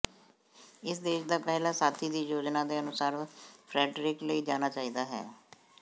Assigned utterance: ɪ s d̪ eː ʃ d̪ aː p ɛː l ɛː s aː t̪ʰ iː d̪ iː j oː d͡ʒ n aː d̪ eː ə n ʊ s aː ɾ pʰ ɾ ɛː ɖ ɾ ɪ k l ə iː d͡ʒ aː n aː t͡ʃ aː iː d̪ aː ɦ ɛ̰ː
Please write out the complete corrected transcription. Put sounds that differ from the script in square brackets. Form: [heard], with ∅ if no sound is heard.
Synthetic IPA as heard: ɪ s d̪ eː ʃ d̪ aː p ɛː l [aː] s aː t̪ʰ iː d̪ iː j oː d͡ʒ n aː d̪ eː ə n ʊ s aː ɾ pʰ ɾ ɛː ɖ ɾ ɪ k l ə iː d͡ʒ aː n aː t͡ʃ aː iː d̪ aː ɦ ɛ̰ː